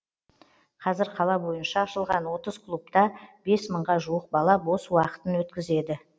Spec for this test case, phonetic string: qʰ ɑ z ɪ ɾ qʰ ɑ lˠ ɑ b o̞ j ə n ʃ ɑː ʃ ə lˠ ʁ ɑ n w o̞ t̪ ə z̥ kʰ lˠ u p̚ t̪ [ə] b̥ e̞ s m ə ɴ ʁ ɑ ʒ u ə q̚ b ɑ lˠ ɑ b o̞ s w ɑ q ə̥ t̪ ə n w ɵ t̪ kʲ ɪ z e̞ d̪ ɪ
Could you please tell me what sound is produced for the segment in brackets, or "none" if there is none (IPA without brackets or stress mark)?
ɑ